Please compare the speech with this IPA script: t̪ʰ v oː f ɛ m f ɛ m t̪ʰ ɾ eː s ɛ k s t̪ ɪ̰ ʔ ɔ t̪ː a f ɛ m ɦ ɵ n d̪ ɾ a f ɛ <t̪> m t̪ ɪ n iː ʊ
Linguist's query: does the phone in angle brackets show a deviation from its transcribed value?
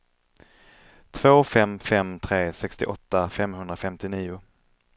yes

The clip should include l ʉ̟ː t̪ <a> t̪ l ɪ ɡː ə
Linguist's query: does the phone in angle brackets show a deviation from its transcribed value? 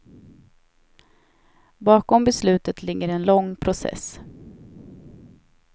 yes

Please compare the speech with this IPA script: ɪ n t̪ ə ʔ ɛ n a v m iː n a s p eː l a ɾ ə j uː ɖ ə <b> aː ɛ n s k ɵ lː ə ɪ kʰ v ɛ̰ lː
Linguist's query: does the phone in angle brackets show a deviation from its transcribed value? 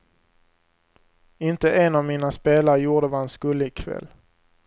yes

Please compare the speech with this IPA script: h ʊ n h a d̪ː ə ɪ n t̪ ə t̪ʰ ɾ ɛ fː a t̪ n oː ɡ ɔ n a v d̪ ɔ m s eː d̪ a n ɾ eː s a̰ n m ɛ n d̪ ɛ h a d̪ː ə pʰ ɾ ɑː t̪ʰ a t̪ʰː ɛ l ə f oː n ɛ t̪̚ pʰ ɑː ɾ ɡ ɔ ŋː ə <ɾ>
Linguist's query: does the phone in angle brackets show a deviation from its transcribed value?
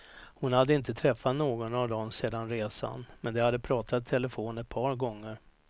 no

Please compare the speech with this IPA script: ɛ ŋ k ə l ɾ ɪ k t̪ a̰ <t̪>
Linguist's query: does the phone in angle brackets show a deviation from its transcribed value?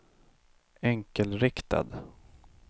yes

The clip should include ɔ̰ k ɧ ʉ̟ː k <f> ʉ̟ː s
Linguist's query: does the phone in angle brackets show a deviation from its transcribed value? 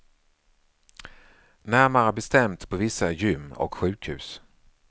yes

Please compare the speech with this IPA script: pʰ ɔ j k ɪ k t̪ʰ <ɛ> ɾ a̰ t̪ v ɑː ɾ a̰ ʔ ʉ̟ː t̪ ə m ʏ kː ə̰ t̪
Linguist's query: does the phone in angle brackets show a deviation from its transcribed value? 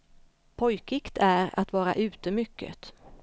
yes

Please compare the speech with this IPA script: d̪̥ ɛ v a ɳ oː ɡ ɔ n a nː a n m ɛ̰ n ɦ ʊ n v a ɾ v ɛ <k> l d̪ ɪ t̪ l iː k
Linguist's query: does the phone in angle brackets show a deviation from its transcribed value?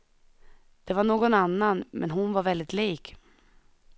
yes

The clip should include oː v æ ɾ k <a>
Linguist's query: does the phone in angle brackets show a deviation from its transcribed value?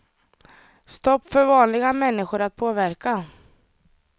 no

